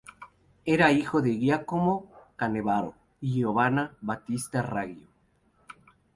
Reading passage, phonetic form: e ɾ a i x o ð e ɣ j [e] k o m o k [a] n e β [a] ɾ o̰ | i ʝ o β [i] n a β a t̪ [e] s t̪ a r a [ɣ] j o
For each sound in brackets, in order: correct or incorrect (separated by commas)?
incorrect, correct, correct, incorrect, incorrect, correct